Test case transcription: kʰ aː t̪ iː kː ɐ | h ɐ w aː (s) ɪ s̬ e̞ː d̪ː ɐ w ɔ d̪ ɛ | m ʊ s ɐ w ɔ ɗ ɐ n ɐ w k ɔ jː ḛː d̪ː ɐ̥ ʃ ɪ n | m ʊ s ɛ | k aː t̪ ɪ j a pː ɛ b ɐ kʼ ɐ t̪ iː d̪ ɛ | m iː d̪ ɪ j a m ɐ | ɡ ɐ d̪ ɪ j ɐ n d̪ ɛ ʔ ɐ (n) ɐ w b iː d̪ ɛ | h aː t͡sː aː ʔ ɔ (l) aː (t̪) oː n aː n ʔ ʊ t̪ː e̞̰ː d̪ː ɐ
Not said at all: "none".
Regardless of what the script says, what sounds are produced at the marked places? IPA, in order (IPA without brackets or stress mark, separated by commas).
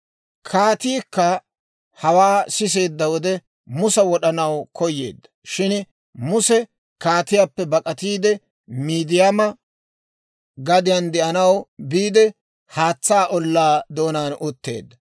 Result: s, n, lː, d̪